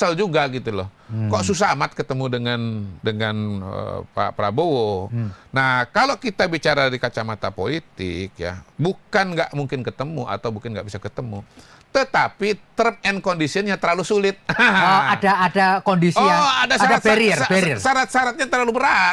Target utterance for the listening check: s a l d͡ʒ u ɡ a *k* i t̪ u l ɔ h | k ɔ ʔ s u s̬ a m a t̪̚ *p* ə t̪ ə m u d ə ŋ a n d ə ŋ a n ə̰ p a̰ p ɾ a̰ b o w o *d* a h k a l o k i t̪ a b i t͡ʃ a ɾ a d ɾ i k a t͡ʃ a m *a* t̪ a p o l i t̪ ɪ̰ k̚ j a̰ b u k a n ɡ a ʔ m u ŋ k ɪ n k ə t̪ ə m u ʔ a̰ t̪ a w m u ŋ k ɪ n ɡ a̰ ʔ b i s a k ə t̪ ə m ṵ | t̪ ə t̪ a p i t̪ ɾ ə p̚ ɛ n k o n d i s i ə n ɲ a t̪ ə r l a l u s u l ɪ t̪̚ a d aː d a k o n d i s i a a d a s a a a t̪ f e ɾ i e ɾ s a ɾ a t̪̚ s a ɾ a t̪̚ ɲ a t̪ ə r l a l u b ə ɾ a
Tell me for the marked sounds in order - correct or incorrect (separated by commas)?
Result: incorrect, incorrect, incorrect, correct